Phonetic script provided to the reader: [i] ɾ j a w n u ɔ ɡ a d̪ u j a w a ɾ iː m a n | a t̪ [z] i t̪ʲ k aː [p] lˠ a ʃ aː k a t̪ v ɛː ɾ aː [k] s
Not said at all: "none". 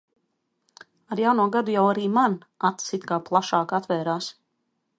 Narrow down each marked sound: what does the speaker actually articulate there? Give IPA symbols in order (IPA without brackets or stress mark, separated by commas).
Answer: a, s, p, none